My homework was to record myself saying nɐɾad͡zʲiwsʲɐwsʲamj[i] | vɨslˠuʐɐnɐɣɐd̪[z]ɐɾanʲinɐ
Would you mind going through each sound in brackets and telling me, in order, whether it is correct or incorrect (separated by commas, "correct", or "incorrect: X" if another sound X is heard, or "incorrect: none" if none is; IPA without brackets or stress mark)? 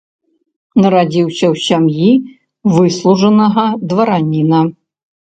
correct, incorrect: v